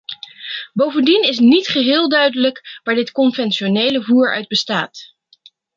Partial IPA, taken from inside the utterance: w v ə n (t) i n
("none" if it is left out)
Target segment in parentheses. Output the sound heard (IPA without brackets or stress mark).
d